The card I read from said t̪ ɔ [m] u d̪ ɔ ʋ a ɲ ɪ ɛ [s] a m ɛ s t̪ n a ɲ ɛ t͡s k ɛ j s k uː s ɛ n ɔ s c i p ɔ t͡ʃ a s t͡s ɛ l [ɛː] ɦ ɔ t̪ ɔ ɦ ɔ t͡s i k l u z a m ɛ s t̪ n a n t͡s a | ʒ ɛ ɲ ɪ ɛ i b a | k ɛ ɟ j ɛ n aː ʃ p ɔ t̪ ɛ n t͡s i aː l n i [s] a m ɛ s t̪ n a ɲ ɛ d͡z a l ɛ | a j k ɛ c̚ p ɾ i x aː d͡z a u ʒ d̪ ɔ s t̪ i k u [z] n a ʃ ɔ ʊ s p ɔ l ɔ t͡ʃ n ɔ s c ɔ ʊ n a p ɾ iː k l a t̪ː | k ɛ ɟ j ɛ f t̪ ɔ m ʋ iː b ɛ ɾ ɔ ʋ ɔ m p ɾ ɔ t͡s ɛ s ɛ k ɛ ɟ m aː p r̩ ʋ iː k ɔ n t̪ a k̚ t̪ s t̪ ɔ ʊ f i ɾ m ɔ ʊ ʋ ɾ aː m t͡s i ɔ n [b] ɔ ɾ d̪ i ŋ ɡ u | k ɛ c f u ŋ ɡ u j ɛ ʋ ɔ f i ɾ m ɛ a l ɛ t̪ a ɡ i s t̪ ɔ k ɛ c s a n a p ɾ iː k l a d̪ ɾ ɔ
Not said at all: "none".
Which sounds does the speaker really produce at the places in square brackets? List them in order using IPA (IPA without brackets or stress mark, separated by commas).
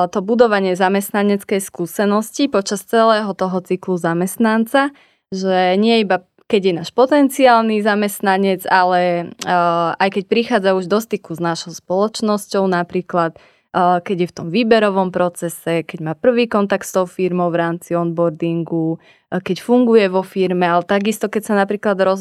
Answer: b, z, ɛː, z, z, b